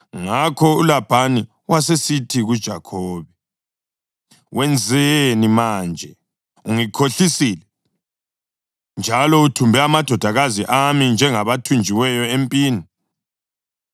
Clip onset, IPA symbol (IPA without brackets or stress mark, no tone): ŋ